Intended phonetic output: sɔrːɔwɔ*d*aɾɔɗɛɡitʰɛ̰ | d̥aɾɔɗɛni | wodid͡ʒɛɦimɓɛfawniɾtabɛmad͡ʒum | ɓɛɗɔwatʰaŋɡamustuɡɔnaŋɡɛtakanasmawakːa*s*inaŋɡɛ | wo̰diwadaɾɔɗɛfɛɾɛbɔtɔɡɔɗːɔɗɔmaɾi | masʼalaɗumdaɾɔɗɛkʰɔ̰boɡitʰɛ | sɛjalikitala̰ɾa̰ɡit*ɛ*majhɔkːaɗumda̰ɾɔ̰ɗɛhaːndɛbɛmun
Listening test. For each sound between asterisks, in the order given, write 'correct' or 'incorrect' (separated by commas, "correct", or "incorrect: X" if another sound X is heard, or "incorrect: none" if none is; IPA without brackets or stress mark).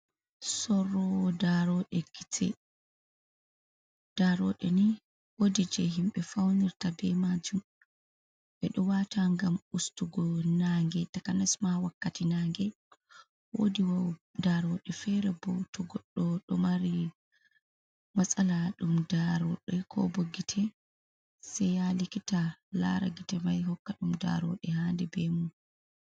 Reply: correct, incorrect: t, correct